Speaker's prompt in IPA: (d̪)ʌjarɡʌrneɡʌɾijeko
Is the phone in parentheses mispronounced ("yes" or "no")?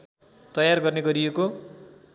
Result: yes